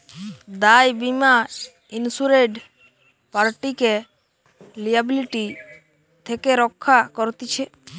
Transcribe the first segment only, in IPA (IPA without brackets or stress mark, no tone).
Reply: d̪